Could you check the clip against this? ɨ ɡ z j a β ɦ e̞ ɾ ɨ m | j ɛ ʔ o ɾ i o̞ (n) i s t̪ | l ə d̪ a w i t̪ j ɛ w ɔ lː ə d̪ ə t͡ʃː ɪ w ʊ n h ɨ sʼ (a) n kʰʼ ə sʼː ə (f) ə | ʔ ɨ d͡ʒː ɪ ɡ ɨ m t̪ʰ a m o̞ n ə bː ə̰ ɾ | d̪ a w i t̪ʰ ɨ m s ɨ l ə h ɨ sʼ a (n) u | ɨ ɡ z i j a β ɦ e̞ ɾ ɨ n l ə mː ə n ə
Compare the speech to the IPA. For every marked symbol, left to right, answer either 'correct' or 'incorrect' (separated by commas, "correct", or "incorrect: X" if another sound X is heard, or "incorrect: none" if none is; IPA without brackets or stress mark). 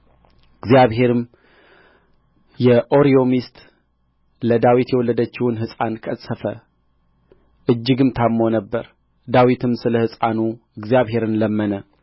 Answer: incorrect: m, correct, correct, correct